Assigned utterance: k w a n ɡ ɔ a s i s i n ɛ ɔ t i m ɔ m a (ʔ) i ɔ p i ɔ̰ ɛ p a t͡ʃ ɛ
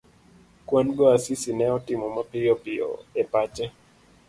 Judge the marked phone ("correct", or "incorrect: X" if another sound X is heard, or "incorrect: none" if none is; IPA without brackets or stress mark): incorrect: p